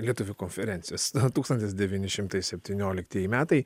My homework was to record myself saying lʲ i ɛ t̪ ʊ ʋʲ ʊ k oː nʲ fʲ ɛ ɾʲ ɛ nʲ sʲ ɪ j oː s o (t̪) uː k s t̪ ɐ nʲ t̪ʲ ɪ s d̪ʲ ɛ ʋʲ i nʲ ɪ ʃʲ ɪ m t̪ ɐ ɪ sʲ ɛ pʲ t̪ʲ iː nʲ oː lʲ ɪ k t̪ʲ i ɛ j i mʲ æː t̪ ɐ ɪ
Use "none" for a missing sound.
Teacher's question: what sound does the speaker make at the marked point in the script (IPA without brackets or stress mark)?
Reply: t̪